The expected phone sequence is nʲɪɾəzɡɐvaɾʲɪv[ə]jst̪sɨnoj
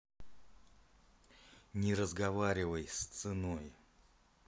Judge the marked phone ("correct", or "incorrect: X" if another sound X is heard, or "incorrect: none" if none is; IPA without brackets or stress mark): correct